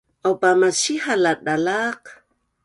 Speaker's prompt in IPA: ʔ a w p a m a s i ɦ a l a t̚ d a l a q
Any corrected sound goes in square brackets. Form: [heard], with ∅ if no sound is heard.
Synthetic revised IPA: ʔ a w p a m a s i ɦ a l a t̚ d a l a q